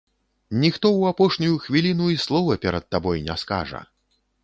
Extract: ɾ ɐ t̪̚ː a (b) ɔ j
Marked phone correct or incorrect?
correct